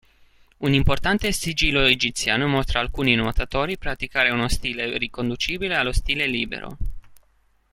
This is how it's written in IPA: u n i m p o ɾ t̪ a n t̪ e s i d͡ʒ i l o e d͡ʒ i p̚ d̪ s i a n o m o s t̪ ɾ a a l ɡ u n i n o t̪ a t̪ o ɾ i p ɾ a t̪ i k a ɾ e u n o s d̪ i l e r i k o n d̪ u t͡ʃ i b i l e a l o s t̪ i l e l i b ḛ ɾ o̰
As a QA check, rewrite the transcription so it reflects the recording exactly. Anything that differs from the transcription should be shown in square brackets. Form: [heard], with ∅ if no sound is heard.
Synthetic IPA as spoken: u n i m p o [r] t̪ a n t̪ e s i d͡ʒ i l o e d͡ʒ i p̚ [t̪] s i a n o m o s t̪ ɾ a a l [k] u n i n o t̪ a t̪ o ɾ i p ɾ a t̪ i k a ɾ e u n o s [t̪] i l e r i k o n d̪ u t͡ʃ i b i l e a l o s t̪ i l e l i b ḛ ɾ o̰

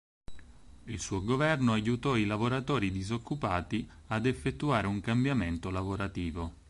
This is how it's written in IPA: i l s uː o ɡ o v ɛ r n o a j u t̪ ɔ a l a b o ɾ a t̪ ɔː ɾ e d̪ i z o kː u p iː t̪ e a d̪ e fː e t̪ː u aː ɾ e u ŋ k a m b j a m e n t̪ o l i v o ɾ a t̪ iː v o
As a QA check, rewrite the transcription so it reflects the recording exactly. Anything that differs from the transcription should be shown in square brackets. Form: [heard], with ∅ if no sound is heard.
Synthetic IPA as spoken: i l s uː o ɡ o v ɛ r n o a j u t̪ ɔ [i] l a [v] o ɾ a t̪ ɔː ɾ [i] d̪ i z o kː u p [aː] t̪ [i] a d̪ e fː e t̪ː u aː ɾ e u ŋ k a m b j a m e n t̪ o l [a] v o ɾ a t̪ iː v o

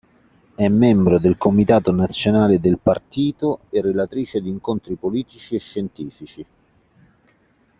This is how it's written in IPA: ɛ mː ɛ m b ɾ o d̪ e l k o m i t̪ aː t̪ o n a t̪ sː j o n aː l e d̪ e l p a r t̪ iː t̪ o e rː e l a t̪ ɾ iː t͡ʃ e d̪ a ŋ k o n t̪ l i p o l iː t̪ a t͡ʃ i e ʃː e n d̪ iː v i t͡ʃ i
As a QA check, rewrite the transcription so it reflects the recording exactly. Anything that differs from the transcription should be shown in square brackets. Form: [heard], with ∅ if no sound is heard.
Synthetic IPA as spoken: ɛ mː ɛ m b ɾ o d̪ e l k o m i t̪ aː t̪ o n a t̪ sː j o n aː l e d̪ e l p a r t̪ iː t̪ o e rː e l a t̪ ɾ iː t͡ʃ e d̪ [i] ŋ k o n t̪ [ɾ] i p o l iː t̪ [i] t͡ʃ i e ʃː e n [t̪] iː [f] i t͡ʃ i

